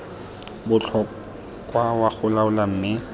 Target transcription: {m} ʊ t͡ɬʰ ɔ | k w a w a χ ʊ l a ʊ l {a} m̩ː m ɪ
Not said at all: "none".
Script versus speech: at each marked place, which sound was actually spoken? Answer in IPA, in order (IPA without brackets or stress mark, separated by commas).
b, a